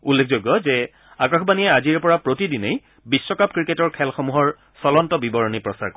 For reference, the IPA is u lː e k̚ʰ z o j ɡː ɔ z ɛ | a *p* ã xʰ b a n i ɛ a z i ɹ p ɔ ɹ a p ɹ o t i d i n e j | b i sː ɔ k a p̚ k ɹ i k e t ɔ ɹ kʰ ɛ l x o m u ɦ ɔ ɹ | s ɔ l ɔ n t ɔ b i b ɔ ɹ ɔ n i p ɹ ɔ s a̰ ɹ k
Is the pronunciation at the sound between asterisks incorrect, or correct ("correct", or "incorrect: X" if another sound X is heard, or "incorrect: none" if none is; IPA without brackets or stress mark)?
incorrect: k